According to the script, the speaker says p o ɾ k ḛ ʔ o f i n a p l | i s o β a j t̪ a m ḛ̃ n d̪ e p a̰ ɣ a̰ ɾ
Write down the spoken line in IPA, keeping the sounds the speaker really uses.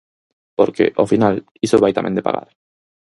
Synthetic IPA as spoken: p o ɾ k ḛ ʔ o f i n a l | i s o β a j t̪ a m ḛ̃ n d̪ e p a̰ ɣ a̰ ɾ